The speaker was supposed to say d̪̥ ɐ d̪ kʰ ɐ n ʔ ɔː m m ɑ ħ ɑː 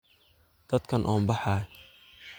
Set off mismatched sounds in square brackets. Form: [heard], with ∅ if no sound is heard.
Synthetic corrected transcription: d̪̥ ɐ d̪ kʰ ɐ n ʔ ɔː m [b] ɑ ħ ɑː